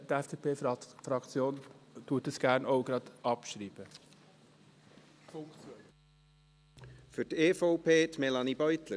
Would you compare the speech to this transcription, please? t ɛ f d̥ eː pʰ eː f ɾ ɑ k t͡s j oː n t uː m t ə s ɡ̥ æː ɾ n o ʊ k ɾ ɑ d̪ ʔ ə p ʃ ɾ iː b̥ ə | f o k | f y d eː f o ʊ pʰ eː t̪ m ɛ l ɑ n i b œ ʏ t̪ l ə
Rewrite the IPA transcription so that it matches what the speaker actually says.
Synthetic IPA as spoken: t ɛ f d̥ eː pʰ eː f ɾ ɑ k t͡s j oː n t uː t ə s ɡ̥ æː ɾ n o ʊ ɡ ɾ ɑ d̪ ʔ ɑ p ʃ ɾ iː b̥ ə | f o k | f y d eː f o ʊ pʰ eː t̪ m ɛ l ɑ n i b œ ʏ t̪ l ə